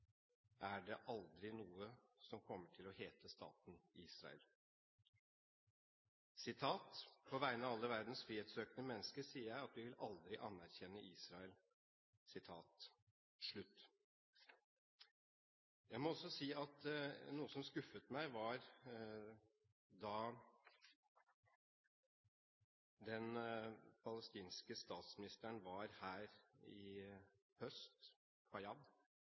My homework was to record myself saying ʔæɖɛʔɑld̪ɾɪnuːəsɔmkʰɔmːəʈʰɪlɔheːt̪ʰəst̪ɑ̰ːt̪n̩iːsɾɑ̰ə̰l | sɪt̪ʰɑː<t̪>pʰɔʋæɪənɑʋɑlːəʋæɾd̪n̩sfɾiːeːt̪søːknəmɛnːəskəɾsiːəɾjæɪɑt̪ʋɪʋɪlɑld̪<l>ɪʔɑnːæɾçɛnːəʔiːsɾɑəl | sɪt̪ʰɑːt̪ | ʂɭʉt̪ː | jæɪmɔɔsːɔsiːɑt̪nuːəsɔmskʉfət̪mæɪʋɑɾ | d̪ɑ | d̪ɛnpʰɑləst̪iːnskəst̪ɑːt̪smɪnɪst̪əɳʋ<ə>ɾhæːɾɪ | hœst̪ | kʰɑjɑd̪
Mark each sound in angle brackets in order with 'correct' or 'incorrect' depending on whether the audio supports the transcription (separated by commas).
correct, incorrect, incorrect